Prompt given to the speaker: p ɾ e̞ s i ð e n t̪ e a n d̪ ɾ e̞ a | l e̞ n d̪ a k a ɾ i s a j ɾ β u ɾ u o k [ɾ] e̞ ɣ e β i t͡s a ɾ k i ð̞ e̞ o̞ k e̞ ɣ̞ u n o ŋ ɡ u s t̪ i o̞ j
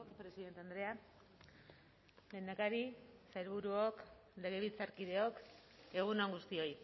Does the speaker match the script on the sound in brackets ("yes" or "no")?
no